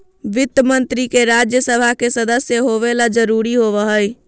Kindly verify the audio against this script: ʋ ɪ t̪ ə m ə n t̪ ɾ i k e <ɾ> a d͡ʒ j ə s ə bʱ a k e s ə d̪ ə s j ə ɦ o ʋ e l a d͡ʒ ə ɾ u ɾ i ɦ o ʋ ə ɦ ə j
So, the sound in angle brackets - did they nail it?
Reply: yes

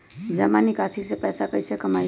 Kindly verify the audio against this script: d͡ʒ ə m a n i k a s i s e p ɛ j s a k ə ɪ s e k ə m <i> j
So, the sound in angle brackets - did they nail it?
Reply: no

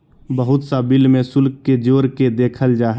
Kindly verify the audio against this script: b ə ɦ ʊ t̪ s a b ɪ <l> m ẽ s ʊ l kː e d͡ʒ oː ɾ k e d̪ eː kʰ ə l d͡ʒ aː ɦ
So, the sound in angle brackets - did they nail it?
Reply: yes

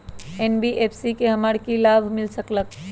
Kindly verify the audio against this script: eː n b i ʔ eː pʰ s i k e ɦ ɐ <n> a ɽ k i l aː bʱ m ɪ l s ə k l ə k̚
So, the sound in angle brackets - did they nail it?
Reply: no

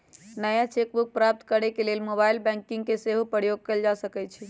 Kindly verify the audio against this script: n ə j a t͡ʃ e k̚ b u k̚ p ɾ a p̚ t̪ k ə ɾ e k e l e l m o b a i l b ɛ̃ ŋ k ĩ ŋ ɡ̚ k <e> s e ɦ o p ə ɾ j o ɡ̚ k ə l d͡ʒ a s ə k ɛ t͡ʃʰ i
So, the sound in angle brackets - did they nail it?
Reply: yes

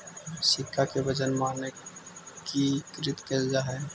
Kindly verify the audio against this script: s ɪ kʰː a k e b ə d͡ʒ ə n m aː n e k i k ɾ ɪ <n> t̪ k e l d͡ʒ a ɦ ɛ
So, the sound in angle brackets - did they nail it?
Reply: no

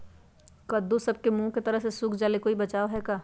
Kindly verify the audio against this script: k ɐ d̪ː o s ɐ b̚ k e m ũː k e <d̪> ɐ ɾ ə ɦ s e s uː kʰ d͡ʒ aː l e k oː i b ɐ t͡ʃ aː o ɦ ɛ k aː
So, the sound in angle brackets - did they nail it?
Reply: no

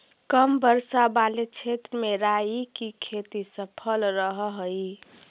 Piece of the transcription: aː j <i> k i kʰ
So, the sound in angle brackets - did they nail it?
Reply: yes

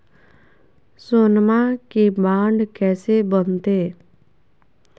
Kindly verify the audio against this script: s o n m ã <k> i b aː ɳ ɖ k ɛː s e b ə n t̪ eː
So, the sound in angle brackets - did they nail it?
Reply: yes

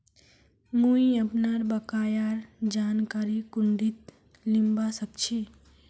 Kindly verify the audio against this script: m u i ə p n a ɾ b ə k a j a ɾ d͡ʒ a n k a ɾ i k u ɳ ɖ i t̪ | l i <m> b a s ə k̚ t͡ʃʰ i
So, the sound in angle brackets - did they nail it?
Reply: yes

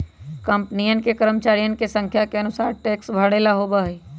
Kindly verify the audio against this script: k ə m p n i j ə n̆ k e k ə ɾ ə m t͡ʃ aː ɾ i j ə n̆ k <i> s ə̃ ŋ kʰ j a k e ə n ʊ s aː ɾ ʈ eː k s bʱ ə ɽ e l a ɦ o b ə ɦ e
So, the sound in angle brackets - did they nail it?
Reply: no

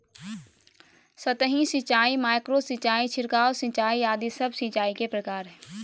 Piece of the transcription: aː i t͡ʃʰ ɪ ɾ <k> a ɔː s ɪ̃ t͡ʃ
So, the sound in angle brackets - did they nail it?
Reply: yes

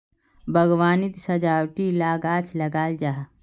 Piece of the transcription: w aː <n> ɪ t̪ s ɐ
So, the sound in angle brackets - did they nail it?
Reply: yes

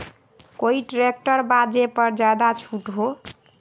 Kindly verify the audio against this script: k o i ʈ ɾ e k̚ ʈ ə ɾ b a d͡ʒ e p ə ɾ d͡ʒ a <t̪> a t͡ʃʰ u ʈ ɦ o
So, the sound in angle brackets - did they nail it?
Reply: no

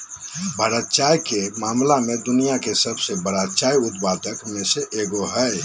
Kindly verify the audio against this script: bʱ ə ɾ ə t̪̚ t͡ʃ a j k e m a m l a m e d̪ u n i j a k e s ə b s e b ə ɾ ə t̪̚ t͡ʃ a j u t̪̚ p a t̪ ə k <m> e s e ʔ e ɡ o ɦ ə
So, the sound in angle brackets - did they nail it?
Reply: yes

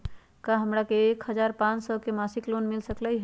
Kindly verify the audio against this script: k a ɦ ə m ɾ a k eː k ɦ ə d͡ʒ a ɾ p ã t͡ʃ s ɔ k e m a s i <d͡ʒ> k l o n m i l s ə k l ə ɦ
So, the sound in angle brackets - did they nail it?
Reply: no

